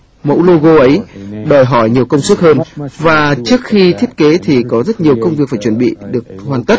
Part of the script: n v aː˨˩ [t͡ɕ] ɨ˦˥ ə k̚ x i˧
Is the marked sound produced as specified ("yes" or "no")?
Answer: yes